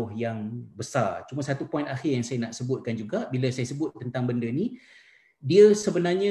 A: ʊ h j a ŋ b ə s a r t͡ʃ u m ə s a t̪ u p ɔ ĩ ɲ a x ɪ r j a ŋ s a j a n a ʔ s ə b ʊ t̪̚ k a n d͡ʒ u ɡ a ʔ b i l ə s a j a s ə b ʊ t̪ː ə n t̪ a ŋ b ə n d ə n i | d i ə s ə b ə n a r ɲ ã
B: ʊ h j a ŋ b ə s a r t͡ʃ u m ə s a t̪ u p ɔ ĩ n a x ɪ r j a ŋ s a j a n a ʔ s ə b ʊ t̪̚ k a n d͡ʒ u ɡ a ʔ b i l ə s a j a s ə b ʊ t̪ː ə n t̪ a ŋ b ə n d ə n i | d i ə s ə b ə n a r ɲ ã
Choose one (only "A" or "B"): B